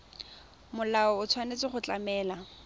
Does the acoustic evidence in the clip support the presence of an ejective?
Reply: no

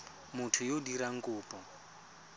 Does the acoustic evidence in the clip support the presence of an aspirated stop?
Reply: yes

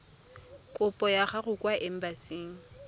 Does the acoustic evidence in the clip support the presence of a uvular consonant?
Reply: yes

